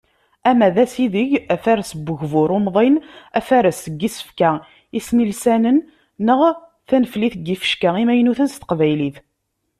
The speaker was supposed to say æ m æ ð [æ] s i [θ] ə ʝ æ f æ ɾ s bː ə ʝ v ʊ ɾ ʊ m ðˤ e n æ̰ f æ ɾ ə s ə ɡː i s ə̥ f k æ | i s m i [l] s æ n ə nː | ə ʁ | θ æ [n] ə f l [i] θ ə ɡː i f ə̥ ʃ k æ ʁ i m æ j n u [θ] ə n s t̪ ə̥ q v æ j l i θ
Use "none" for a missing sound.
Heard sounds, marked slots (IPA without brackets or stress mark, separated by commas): æ, ð, l, n, i, θ